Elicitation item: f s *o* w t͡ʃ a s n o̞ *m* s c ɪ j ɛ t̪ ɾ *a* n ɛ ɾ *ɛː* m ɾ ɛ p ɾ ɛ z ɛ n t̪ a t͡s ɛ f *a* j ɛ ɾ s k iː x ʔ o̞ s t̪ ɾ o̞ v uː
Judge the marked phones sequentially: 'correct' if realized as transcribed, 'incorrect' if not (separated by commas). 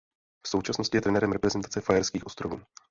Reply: correct, incorrect, incorrect, incorrect, correct